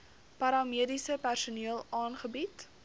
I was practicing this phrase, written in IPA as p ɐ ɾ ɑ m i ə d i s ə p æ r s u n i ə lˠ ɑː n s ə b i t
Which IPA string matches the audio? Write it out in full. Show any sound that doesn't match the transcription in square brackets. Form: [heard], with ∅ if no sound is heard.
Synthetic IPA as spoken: p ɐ ɾ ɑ m i ə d i s ə p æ r s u n i ə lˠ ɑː n [χ] ə b i t